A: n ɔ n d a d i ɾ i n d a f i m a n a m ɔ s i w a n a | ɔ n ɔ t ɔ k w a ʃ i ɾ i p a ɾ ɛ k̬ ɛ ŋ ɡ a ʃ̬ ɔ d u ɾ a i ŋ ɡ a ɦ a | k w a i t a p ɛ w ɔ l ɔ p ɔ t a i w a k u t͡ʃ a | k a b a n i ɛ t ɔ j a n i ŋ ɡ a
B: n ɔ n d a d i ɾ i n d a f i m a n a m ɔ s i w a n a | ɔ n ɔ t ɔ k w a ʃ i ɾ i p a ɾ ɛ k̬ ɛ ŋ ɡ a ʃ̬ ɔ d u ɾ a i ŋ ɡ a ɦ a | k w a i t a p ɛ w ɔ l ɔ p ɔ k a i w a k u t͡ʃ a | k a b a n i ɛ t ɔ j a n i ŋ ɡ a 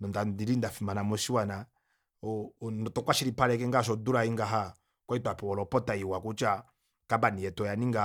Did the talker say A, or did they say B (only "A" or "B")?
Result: A